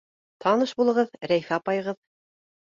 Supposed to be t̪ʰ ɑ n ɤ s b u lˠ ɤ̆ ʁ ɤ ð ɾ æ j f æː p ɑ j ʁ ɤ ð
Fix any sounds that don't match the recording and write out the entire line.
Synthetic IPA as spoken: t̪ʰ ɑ n ɤ ʃ b u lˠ ɤ̆ ʁ ɤ ð ɾ æ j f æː p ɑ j ʁ ɤ ð

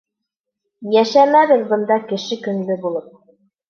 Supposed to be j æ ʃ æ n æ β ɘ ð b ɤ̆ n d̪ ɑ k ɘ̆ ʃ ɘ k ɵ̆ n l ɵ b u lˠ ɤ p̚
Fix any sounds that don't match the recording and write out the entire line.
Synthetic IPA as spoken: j æ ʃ æ m æ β ɘ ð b ɤ̆ n d̪ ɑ k ɘ̆ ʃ ɘ k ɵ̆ n l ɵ b u lˠ ɤ p̚

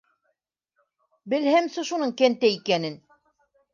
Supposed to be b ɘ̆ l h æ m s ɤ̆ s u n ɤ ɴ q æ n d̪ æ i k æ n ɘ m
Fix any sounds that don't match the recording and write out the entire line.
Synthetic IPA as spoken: b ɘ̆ l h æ m s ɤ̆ ʃ u n ɤ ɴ k æ n t̪ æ i k æ n ɘ n

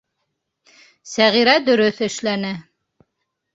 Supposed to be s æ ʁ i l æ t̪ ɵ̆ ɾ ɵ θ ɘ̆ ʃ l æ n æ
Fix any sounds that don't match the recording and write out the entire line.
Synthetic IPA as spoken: s æ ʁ i ɾ æ d̪ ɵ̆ ɾ ɵ θ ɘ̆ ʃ l æ n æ

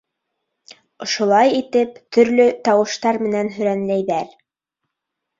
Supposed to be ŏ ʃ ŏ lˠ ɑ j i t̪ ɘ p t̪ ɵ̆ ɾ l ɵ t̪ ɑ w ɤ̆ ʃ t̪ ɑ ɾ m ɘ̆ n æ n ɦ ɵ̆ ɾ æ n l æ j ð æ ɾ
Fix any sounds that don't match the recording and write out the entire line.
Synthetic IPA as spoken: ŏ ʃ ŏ lˠ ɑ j i t̪ ɘ p t̪ ɵ̆ ɾ l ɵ t̪ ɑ w ɤ̆ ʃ t̪ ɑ ɾ m ɘ̆ n æ n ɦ ɵ̆ ɾ æ n l æ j ð æ ɾ

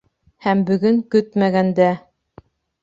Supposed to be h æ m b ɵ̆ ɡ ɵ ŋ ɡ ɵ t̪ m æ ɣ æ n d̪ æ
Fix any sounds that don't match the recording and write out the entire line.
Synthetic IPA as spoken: h æ m b ɵ̆ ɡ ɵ ŋ k ɵ t̪ m æ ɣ æ n d̪ æ

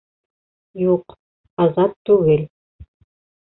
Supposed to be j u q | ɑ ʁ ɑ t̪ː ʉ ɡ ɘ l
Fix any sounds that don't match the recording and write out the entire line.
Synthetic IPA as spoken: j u q | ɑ z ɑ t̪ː ʉ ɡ ɘ l

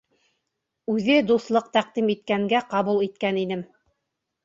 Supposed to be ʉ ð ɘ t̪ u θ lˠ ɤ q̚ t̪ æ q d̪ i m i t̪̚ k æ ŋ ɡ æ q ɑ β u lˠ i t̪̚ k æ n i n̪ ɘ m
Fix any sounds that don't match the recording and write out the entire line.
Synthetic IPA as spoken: ʉ ð ɘ d̪ u θ lˠ ɤ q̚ t̪ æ q d̪ i m i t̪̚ k æ ŋ ɡ æ q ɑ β u lˠ i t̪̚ k æ n i n̪ ɘ m

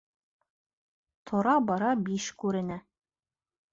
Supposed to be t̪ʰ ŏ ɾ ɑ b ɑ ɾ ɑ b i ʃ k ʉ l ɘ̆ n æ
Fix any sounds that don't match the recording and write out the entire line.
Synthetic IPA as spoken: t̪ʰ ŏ ɾ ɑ b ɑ ɾ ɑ b i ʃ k ʉ ɾ ɘ̆ n æ

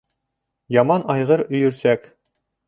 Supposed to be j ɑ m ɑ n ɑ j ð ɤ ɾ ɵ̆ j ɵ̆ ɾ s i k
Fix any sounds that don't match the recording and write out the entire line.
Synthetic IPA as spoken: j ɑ m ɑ n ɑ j ʁ ɤ ɾ ɵ̆ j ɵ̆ ɾ s æ k

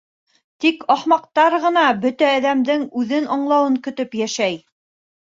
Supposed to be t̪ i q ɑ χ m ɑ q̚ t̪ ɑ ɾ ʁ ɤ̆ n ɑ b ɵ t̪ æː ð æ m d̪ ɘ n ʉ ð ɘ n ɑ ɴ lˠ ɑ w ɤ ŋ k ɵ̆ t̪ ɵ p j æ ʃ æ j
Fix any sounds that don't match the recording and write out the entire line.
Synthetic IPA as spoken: t̪ i k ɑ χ m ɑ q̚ t̪ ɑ ɾ ʁ ɤ̆ n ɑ b ɵ t̪ æː ð æ m d̪ ɘ ŋ ʉ ð ɘ n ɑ ɴ lˠ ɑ w ɤ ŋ k ɵ̆ t̪ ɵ p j æ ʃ æ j

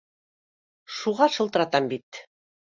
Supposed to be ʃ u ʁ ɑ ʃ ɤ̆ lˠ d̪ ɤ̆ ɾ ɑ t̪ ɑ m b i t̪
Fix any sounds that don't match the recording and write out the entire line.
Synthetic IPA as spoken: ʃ u ʁ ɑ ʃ ɤ̆ lˠ t̪ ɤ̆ ɾ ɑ t̪ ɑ m b i t̪

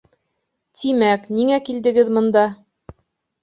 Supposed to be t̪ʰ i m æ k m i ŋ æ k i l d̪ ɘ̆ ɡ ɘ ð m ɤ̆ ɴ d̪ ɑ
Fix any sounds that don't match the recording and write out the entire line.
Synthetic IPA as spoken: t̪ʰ i m æ k n i ŋ æ k i l d̪ ɘ̆ ɡ ɘ ð m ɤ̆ n d̪ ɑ

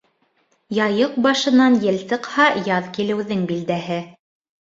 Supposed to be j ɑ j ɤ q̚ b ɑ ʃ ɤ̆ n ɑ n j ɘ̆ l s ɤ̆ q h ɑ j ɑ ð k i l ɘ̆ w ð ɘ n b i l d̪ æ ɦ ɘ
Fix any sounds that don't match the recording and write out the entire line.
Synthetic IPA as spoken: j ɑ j ɤ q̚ b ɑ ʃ ɤ̆ n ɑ n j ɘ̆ l s ɤ̆ q h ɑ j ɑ ð k i l ɘ̆ w ð ɘ ŋ b i l d̪ æ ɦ ɘ

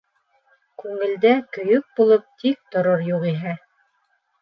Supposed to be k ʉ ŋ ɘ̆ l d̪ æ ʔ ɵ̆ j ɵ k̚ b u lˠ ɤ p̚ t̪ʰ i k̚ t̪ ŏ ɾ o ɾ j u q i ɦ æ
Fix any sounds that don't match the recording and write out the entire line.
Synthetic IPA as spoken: k ʉ ŋ ɘ̆ l d̪ æ k ɵ̆ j ɵ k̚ b u lˠ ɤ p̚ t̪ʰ i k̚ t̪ ŏ ɾ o ɾ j u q i ɦ æ

